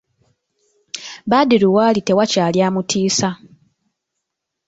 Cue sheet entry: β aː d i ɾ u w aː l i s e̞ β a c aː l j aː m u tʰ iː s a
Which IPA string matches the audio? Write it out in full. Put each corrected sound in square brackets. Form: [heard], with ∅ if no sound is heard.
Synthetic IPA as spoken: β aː d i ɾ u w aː l i [t] e̞ [w] a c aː l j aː m u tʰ iː s a

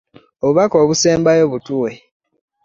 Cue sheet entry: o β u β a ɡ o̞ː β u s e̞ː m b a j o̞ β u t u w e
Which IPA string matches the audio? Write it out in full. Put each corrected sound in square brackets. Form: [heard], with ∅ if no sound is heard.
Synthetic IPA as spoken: o β u β a [k] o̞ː β u s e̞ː m b a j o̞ β u t u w e

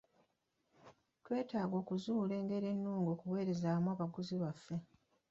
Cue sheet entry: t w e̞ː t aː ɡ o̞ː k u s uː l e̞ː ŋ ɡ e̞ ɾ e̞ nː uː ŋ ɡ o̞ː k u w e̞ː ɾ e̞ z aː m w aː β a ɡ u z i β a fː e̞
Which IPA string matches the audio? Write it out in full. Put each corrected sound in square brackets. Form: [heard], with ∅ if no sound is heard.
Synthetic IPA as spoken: t w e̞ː t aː ɡ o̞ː k u [z] uː l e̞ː ŋ ɡ e̞ ɾ e̞ nː uː ŋ ɡ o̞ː k u w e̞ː ɾ e̞ z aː m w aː β a ɡ u z i β a fː e̞

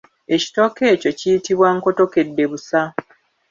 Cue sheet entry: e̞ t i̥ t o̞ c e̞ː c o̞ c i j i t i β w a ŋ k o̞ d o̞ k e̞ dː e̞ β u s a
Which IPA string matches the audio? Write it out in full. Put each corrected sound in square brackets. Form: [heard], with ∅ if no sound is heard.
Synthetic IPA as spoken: e̞ [c] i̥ t o̞ [k] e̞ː c o̞ c i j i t i β w a ŋ k o̞ [t] o̞ k e̞ dː e̞ β u s a

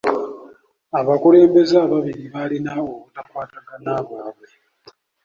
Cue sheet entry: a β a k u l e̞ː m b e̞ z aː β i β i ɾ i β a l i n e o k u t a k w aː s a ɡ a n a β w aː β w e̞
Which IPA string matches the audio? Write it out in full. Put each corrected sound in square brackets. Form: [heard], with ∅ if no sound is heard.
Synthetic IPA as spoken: a β a k u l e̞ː m b e̞ z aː β [a] β i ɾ i β a l i n [a] o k u t a k w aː [t] a ɡ a n a β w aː β w e̞

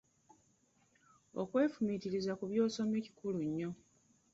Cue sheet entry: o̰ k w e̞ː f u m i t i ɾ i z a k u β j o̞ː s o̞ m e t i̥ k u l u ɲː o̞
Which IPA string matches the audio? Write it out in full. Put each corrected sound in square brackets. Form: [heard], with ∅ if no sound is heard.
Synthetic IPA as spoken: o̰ k w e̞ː f u m i t i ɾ i z a k u β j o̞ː s o̞ m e [c] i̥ k u l u ɲː o̞

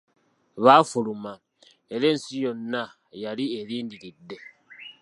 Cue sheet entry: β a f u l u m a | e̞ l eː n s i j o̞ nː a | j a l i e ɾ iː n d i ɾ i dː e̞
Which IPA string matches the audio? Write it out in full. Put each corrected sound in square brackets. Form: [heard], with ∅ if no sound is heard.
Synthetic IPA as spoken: β a f u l u m a | e̞ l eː n s i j o̞ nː a | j a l i e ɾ iː n d i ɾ i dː e̞

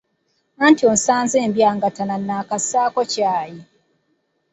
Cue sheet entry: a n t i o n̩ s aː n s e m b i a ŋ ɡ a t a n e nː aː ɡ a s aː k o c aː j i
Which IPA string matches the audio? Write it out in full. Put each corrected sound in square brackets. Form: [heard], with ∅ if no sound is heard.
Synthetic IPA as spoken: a n t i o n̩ s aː n [z] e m b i a ŋ ɡ a t a n [a] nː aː [k] a s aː k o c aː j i

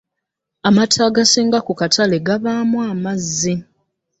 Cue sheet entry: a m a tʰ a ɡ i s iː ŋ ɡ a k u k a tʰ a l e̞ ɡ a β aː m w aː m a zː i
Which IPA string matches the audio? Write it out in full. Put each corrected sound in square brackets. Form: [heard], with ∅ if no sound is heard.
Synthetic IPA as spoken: a m a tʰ a ɡ [a] s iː ŋ ɡ a k u k a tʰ a l e̞ ɡ a β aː m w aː m a zː i

